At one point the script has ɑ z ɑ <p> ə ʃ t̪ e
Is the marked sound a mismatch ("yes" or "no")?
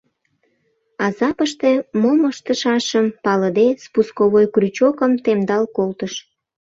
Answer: no